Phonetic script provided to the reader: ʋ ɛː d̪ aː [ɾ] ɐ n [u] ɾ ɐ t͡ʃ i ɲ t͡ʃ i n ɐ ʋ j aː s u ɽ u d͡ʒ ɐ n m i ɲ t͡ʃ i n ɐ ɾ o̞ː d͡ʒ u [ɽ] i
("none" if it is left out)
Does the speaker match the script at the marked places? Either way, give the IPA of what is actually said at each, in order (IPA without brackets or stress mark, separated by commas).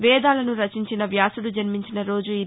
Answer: l, u, none